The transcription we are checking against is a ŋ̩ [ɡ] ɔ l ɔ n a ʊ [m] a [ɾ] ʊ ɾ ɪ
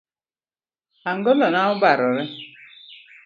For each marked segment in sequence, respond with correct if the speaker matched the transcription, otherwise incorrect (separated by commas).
correct, incorrect, correct